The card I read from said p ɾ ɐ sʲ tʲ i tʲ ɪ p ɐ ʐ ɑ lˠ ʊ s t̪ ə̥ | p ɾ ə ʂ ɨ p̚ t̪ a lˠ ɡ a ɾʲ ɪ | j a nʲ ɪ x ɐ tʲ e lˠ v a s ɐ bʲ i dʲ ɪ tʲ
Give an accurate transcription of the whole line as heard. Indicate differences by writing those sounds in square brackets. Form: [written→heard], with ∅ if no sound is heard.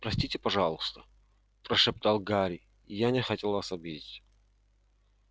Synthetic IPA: p ɾ ɐ sʲ tʲ i tʲ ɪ p ɐ ʐ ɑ lˠ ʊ s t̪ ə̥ | p ɾ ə ʂ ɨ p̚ t̪ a lˠ ɡ a ɾʲ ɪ | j a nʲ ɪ x ɐ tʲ e lˠ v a s ɐ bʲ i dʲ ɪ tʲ